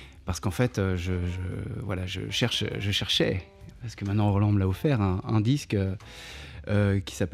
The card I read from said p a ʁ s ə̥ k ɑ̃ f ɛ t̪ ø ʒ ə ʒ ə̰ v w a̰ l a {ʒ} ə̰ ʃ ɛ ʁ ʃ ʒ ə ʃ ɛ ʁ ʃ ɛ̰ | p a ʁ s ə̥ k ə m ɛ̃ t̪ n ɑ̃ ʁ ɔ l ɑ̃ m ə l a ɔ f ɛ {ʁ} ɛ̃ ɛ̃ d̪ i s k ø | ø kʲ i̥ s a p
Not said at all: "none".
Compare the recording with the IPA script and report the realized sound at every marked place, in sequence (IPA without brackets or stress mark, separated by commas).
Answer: ʒ, ʁ